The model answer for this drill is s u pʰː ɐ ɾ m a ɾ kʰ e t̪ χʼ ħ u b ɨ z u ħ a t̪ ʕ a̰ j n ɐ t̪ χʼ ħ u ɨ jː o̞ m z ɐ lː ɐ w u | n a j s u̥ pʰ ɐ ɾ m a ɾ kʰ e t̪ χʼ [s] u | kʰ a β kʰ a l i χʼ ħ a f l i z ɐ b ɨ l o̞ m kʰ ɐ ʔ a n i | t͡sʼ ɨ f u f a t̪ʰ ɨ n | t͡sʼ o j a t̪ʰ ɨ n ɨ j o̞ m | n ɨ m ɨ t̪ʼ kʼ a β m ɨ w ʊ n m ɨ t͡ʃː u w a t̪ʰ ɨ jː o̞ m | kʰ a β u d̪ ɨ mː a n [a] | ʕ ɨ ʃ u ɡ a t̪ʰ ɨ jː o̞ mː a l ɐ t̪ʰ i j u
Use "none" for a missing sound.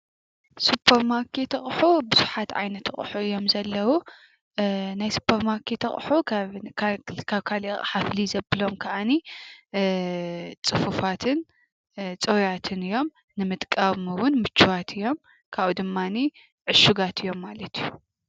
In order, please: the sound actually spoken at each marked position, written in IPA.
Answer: ħ, i

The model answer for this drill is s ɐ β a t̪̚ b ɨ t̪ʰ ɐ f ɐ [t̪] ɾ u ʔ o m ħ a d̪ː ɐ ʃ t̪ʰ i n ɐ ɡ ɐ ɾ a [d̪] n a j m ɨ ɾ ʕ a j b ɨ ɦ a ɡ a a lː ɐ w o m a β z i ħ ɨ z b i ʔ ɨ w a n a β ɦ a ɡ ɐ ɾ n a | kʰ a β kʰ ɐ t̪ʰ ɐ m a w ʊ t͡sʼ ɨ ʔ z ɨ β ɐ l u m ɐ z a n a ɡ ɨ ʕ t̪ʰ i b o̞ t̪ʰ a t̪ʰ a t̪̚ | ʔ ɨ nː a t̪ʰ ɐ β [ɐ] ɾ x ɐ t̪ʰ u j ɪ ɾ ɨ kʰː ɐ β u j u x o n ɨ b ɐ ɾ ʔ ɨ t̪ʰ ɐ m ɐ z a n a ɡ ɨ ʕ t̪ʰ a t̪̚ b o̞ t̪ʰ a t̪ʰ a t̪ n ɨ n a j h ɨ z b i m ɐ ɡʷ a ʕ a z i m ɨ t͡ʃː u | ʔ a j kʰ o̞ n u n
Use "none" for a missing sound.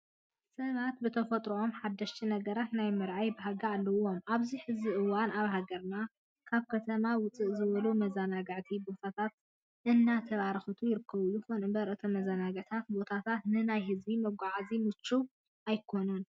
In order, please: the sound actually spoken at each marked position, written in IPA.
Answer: t̪ʼ, t̪, a

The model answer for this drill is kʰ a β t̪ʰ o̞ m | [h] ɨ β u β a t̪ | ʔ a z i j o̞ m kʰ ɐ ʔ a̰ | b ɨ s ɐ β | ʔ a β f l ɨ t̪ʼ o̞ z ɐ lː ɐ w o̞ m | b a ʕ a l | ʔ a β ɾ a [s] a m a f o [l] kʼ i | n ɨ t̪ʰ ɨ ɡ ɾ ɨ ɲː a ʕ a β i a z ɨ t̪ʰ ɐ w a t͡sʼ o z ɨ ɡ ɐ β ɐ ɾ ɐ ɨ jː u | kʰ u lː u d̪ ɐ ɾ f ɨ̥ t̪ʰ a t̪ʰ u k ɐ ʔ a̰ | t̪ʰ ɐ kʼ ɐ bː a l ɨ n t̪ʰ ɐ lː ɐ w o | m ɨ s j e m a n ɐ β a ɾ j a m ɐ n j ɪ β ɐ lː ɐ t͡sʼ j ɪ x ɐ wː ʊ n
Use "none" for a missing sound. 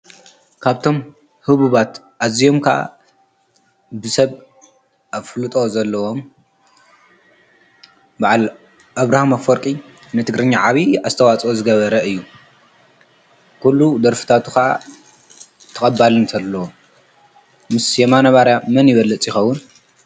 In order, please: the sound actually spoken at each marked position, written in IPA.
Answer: h, h, ɾ

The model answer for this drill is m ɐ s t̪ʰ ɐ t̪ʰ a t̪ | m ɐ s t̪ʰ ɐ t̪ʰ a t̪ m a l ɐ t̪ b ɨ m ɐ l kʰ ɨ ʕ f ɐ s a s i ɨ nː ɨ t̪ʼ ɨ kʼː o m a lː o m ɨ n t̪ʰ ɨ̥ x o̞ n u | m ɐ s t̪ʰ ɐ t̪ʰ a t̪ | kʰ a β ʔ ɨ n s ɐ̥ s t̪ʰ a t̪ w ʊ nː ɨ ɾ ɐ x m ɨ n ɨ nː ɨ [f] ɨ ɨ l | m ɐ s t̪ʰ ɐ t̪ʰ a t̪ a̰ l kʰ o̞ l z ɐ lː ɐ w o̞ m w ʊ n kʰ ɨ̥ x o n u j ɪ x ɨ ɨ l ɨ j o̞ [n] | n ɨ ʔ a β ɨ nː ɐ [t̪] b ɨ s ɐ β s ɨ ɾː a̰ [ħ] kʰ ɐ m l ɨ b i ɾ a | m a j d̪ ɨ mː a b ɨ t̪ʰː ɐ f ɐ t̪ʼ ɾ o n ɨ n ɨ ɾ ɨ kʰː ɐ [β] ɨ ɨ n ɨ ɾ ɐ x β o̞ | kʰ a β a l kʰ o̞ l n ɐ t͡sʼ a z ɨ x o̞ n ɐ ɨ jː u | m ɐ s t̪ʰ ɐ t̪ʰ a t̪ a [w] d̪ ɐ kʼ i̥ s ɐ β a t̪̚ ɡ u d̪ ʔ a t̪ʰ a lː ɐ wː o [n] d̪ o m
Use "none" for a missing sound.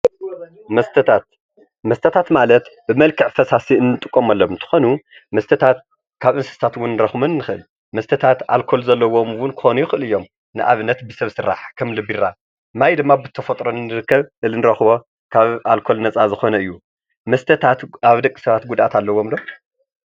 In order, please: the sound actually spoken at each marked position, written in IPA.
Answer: x, m, t̪, ħ, β, β, m

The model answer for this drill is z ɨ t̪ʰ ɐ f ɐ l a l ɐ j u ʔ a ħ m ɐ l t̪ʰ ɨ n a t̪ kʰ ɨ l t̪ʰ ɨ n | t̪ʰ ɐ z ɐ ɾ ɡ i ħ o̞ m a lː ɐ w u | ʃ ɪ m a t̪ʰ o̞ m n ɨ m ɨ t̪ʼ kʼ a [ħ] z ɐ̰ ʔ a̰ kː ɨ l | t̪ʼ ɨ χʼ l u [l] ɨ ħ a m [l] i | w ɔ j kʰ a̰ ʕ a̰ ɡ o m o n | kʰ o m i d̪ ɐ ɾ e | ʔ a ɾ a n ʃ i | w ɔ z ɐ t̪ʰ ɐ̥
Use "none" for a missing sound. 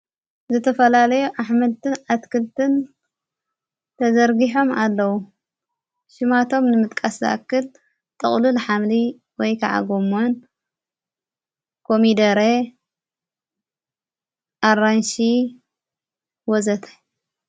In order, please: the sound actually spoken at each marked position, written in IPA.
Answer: s, l, l

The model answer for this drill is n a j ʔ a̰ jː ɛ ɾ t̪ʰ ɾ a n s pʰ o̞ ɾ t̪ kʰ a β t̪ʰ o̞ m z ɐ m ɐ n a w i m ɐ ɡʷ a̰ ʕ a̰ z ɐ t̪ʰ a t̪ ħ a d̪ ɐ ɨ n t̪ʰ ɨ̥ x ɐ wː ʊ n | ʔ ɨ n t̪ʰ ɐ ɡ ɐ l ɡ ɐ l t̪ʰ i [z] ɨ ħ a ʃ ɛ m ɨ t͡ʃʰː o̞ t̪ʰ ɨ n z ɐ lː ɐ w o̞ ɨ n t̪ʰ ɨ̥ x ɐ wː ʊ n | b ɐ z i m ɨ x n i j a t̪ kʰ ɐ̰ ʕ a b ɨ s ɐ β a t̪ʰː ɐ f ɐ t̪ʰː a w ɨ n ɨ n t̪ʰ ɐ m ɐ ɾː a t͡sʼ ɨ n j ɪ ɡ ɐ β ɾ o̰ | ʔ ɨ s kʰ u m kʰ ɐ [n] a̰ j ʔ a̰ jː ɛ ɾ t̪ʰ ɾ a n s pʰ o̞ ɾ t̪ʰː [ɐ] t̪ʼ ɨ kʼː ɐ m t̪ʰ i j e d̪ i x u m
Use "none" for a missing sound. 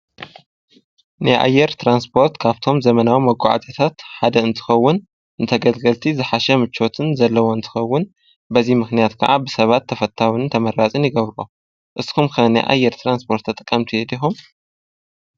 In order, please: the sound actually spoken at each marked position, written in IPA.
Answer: z, n, ɐ

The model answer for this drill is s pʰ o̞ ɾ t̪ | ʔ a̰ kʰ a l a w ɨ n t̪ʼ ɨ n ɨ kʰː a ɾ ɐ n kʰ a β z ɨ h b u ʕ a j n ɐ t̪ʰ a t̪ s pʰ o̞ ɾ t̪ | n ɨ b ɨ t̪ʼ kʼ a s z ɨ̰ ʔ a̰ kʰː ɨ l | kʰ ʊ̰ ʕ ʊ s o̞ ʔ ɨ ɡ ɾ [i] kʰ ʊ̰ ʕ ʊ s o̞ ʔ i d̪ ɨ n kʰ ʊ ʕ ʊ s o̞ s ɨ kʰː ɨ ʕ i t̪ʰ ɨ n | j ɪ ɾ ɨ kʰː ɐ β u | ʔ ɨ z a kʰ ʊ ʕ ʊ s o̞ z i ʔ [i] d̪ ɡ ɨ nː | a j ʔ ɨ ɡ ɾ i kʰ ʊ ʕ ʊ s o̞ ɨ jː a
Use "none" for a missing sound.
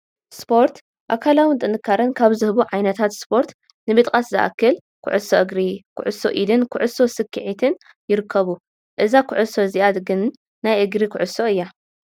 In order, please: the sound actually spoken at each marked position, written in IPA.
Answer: i, a

